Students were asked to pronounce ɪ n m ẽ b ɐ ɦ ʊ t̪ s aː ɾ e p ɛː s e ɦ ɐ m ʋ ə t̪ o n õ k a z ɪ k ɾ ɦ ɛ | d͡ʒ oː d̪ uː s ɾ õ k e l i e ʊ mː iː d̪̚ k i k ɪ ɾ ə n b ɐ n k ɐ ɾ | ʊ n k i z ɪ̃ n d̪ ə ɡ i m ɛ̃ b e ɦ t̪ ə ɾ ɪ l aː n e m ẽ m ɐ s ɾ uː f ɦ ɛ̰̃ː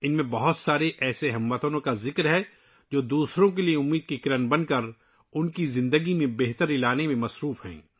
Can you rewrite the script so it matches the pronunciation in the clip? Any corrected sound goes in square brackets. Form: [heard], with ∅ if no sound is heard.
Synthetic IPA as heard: ɪ n m ẽ b ɐ ɦ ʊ t̪ s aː ɾ e [ʔ] ɛː s e ɦ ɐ m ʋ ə t̪ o n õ k a z ɪ k ɾ ɦ ɛ | d͡ʒ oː d̪ uː s ɾ õ k e l i e ʊ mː iː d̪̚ k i k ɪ ɾ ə n b ɐ n k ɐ ɾ | ʊ n k i z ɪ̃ n d̪ ə ɡ i m [ẽ] b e ɦ t̪ ə ɾ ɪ l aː n e m ẽ m ɐ s ɾ uː f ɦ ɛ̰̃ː